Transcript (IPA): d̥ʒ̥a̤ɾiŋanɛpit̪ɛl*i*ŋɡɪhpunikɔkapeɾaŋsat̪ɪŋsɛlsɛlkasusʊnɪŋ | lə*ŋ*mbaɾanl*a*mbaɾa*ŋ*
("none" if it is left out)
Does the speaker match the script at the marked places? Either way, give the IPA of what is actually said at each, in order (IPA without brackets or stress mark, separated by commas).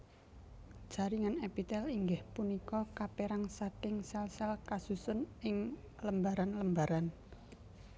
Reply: i, none, ə, n